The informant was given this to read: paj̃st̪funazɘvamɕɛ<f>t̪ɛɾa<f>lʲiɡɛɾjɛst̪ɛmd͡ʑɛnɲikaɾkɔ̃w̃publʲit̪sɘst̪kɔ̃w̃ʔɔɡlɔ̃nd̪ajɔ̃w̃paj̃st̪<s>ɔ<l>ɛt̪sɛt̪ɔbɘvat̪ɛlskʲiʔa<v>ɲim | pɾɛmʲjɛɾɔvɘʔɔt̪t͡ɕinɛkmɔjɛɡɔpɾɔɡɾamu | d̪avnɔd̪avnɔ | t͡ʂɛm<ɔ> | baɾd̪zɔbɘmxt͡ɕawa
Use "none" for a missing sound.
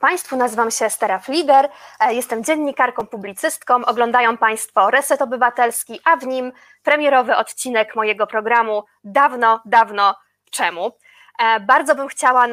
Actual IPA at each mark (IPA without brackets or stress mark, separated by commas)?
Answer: s, f, f, ɾ, v, u